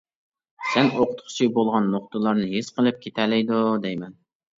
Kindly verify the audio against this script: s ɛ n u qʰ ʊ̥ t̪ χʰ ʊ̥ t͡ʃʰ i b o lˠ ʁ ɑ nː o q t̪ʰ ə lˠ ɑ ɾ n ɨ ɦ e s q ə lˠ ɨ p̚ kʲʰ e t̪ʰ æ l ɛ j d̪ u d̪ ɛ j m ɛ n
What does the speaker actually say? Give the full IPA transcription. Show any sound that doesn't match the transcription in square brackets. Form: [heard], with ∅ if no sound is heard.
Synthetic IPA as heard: s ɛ n [o] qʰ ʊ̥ t̪ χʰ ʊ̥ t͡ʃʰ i b o lˠ ʁ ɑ nː o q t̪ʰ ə lˠ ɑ ɾ n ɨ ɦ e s q ə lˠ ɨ p̚ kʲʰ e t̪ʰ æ l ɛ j d̪ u d̪ ɛ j m ɛ n